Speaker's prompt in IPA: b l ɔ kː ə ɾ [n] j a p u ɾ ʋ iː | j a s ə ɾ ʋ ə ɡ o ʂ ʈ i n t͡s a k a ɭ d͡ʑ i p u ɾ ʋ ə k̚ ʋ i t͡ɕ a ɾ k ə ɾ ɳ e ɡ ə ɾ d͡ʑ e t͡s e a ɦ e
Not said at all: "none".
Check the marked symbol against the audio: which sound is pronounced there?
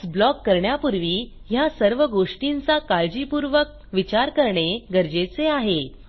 ɳ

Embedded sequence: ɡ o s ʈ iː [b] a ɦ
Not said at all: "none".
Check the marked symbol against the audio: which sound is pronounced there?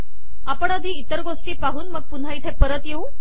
p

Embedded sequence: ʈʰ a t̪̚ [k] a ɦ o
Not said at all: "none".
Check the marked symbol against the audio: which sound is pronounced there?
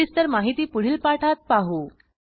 p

